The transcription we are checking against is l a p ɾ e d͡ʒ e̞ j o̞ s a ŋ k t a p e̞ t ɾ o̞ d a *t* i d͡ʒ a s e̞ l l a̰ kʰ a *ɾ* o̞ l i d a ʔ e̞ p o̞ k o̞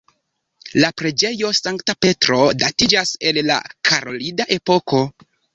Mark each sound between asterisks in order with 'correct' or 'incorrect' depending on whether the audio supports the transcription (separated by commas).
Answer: correct, correct